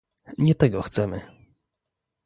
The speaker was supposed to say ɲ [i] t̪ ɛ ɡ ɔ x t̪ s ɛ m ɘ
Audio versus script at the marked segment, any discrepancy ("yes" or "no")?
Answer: yes